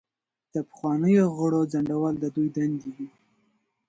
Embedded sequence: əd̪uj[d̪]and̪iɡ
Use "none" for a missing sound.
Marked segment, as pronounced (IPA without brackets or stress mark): d̪